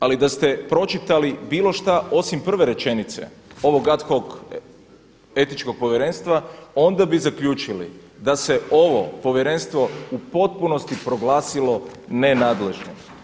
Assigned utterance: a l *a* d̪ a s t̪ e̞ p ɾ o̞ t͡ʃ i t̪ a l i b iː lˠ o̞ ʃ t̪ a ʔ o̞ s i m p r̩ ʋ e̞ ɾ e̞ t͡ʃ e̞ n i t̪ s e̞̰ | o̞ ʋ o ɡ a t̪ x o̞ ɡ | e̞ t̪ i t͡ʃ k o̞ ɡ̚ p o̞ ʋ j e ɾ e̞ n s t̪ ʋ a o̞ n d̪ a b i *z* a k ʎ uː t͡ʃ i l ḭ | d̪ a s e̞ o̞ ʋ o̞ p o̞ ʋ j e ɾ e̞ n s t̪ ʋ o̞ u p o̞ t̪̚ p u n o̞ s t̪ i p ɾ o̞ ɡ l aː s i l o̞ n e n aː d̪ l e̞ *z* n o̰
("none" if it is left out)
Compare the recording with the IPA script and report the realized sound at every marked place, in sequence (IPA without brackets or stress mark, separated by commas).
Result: i, z, ʒ